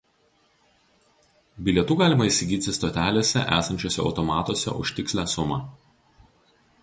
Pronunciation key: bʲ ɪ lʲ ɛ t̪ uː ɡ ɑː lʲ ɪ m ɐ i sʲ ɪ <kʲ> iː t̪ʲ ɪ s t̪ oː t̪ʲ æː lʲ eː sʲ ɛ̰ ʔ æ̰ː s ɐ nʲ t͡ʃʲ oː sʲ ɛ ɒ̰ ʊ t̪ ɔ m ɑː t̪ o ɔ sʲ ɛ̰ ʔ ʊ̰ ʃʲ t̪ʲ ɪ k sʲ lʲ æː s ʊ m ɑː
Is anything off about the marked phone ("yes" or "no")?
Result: yes